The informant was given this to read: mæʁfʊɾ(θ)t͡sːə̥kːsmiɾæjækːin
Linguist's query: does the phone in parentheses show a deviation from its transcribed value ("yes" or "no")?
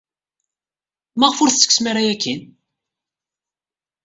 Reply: no